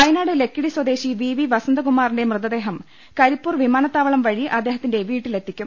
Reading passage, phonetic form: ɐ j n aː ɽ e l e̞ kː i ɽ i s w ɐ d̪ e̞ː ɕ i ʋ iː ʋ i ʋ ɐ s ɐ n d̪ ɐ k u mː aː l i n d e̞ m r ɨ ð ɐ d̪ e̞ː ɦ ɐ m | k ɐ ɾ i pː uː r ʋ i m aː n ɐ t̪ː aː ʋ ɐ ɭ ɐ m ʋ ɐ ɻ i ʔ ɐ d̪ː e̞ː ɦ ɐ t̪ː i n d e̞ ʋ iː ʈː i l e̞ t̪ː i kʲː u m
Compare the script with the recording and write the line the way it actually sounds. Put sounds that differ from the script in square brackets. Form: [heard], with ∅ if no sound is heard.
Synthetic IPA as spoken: ɐ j n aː ɽ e l e̞ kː i ɽ i s w ɐ d̪ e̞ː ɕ i ʋ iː ʋ i ʋ ɐ s ɐ n d̪ ɐ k u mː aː [r] i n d e̞ m r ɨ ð ɐ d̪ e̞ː ɦ ɐ m | k ɐ ɾ i pː uː r ʋ i m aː n ɐ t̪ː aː ʋ ɐ ɭ ɐ m ʋ ɐ ɻ i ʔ ɐ d̪ː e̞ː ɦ ɐ t̪ː i n d e̞ ʋ iː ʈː i l e̞ t̪ː i kʲː u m